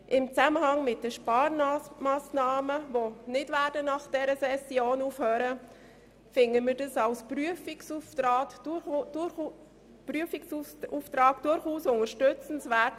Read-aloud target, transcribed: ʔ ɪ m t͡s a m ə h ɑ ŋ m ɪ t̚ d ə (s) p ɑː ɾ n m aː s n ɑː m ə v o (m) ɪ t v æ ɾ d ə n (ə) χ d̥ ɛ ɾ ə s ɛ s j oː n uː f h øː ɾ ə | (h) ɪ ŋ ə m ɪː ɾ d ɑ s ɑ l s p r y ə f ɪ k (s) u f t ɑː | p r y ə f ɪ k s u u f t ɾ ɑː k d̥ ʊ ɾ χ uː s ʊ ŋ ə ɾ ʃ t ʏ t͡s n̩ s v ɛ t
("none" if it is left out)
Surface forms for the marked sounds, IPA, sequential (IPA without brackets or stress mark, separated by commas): ʃ, n, ɑ, f, s